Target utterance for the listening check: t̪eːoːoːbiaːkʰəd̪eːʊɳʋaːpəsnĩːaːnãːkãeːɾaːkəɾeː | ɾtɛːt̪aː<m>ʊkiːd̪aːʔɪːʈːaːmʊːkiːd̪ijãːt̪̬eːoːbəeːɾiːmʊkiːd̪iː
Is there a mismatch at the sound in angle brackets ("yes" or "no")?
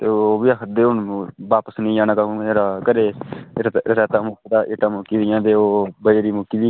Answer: no